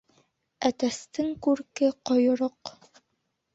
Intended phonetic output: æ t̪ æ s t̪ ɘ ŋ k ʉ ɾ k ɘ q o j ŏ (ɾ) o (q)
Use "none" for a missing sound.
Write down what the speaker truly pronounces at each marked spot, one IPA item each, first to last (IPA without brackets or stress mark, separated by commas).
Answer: ɾ, q